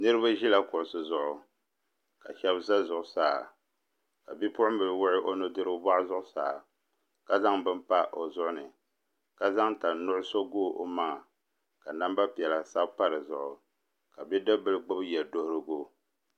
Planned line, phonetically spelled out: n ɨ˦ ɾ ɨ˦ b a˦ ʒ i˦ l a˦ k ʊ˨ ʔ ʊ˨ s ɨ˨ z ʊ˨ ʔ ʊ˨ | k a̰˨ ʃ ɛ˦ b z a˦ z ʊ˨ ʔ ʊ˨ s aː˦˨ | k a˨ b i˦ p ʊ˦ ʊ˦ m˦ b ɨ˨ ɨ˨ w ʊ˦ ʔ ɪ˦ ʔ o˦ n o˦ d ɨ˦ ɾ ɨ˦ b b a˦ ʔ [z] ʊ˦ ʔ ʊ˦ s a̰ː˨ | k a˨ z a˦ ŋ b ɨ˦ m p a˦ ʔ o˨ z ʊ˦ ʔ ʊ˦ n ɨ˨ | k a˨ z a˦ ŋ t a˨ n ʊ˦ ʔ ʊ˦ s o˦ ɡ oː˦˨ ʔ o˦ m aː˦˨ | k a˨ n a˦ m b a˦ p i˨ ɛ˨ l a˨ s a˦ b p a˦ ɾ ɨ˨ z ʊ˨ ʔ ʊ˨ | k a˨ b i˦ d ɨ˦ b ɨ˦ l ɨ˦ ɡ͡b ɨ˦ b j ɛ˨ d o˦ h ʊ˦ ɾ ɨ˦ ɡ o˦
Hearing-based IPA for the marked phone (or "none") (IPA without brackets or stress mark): z